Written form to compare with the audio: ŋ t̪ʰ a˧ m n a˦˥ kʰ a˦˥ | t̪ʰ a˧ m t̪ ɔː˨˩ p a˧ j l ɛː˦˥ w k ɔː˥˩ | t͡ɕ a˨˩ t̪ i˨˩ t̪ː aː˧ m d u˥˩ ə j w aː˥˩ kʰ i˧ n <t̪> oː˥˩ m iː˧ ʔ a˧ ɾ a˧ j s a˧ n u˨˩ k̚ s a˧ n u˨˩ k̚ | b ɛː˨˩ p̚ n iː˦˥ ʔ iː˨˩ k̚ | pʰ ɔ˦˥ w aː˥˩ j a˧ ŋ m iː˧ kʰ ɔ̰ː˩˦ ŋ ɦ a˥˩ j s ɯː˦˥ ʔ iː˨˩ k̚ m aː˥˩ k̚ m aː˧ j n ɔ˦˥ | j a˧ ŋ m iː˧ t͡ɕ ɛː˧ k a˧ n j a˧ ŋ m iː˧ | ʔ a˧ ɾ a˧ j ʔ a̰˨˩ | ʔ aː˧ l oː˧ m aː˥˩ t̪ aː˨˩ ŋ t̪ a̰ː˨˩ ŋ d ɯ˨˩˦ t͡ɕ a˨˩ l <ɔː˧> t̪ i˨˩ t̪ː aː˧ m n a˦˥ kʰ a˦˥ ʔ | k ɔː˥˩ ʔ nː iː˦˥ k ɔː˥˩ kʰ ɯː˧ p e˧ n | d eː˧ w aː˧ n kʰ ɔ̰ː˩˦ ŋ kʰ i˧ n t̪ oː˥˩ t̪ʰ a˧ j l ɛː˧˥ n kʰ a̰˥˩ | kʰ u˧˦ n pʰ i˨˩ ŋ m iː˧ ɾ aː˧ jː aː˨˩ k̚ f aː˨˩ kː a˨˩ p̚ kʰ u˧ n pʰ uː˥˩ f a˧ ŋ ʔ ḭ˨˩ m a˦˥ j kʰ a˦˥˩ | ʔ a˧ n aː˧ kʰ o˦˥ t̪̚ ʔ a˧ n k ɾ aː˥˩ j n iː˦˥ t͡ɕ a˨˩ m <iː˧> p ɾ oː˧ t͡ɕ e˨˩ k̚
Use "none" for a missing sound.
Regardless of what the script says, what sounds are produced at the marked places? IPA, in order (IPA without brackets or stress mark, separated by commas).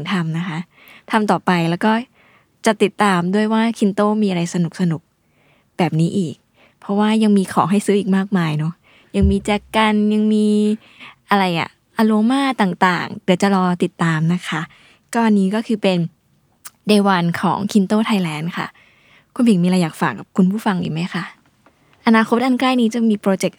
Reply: t̪, ɔː˧, iː˧